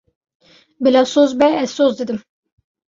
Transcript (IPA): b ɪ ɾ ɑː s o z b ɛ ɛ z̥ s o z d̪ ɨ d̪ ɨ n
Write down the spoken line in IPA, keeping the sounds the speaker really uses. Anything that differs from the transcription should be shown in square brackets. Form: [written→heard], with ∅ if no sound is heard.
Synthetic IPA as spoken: b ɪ [ɾ→l] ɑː s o z b ɛ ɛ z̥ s o z d̪ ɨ d̪ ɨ [n→m]